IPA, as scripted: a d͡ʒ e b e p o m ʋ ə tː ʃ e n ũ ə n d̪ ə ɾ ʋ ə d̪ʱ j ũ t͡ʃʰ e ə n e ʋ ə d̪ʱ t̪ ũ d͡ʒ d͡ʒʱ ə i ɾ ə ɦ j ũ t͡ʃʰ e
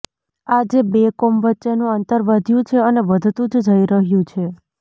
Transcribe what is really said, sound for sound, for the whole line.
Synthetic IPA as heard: a d͡ʒ e b e k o m ʋ ə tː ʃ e n ũ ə n t̪ ə ɾ ʋ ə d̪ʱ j ũ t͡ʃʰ e ə n e ʋ ə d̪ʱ t̪ ũ d͡ʒ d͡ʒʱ ə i ɾ ə ɦ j ũ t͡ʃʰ e